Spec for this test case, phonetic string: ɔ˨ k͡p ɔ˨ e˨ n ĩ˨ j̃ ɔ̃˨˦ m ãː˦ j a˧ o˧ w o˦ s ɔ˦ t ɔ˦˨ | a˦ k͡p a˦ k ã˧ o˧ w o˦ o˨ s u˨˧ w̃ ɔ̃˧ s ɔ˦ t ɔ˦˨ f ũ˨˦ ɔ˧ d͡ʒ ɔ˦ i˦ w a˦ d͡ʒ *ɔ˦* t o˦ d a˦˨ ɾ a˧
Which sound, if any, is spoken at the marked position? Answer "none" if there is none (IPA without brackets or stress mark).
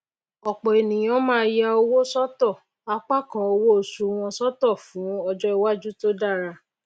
u˦